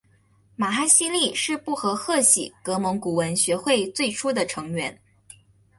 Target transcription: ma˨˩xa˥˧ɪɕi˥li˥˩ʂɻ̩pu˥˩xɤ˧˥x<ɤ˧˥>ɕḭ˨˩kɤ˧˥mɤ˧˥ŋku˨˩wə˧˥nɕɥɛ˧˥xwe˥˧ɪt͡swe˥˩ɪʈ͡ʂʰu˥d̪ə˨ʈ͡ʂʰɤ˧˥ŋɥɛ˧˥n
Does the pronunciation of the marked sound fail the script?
yes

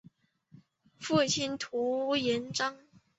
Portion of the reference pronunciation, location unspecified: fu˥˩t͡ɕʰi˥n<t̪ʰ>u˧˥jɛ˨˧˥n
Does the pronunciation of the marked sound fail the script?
no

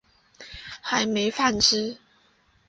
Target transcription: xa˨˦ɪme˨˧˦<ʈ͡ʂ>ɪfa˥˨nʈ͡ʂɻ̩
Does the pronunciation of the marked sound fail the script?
yes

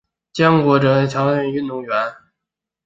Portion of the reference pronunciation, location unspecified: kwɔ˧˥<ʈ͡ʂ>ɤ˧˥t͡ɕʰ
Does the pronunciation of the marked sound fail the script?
no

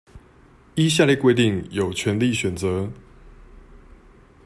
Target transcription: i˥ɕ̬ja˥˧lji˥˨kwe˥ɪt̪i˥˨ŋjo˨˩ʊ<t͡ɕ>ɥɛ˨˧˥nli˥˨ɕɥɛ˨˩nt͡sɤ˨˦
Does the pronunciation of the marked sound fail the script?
yes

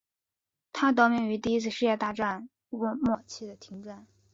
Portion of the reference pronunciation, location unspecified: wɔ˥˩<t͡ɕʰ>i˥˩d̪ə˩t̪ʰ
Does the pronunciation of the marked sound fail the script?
no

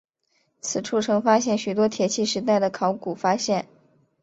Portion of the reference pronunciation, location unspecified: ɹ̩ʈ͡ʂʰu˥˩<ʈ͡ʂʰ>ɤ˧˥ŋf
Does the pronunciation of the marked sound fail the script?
no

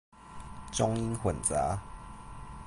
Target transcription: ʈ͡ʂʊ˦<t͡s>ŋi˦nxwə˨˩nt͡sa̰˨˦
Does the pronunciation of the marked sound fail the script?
yes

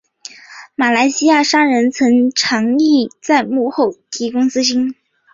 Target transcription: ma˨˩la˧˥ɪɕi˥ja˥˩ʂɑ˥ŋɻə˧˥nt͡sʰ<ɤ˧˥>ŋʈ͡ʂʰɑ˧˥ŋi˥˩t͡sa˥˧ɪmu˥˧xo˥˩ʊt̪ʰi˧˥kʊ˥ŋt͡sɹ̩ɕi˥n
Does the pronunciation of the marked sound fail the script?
no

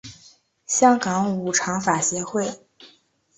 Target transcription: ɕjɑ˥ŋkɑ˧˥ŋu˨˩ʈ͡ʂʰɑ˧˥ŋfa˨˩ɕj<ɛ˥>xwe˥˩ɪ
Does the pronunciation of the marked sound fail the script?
yes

